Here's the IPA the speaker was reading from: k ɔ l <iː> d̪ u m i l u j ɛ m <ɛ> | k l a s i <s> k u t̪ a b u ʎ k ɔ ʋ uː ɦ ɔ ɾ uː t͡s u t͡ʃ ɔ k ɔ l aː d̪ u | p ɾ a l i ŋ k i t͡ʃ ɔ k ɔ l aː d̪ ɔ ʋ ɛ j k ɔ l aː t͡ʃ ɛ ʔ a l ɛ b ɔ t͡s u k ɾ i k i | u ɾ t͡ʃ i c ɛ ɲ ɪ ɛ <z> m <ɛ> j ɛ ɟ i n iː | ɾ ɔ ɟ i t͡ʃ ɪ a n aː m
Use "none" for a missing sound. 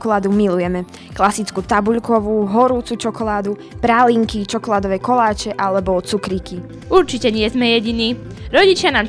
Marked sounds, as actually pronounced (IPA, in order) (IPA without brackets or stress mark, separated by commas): aː, ɛ, t͡s, z, ɛ